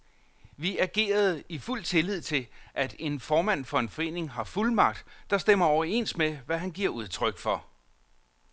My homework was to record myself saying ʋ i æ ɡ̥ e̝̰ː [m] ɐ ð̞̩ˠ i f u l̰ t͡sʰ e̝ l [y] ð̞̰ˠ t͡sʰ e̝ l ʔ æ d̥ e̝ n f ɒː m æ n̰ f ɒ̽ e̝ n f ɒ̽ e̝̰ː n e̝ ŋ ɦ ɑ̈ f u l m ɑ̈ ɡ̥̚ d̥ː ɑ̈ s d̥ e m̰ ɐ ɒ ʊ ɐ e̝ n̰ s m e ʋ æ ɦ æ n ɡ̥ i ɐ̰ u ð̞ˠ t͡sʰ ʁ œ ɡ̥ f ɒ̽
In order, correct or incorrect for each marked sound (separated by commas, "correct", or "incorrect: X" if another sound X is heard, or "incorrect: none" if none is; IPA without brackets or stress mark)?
incorrect: none, incorrect: i